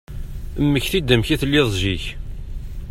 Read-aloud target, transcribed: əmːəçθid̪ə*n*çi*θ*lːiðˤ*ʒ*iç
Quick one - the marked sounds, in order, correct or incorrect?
incorrect: m, correct, correct

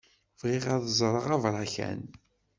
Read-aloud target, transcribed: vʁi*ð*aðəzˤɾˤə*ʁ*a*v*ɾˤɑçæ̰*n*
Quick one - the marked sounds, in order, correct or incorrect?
incorrect: ʁ, correct, correct, correct

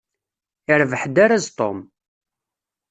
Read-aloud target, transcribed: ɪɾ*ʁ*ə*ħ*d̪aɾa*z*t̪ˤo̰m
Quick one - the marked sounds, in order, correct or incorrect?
incorrect: v, correct, correct

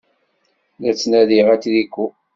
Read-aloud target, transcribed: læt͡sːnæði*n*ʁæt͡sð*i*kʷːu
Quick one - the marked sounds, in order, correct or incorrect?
incorrect: none, correct

